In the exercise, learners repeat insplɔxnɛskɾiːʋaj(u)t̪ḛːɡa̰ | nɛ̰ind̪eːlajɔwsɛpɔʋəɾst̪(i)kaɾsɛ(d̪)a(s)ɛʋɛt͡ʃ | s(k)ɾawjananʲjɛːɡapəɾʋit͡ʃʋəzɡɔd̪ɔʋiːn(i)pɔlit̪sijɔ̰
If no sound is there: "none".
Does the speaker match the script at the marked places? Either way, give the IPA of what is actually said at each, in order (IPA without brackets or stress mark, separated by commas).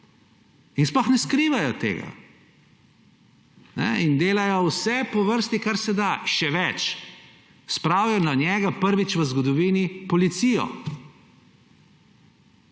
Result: ɔ, i, d̪, ʃ, p, i